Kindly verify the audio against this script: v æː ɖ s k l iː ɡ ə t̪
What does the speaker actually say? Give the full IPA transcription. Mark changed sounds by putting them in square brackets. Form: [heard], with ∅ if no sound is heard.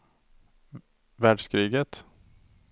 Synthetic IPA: v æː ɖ [ʂ] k [ɾ] iː ɡ ə t̪